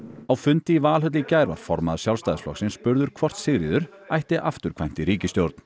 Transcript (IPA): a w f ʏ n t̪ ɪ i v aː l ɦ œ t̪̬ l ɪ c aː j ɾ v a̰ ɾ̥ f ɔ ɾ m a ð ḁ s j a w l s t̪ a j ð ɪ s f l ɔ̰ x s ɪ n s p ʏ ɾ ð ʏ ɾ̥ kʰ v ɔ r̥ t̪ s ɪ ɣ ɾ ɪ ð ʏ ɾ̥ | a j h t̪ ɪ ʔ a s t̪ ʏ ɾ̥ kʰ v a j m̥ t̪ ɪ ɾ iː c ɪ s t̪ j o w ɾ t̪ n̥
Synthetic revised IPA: a w f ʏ n t̪ ɪ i v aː l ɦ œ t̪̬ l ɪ c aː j ɾ v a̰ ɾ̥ f ɔ ɾ m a ð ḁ s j a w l s t̪ a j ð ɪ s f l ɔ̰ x s ɪ n s p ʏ ɾ ð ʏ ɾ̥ kʰ v ɔ r̥ t̪ s ɪ ɣ ɾ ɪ ð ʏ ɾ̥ | a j h t̪ ɪ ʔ a f t̪ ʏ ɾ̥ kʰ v a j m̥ t̪ ɪ ɾ iː c ɪ s t̪ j o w ɾ t̪ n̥